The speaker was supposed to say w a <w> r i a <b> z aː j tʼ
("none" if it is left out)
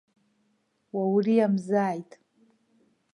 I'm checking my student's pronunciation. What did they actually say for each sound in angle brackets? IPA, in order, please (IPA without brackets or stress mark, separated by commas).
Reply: w, m